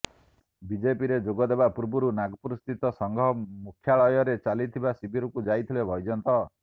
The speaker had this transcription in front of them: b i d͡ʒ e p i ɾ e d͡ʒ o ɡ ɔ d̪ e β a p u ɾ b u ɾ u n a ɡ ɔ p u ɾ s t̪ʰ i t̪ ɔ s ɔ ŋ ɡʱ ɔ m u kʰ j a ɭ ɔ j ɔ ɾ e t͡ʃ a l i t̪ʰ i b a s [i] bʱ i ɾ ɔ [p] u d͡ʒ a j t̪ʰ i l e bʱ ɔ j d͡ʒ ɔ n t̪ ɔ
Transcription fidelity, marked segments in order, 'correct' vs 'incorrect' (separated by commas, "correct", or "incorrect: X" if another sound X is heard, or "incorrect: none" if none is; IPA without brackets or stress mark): correct, incorrect: k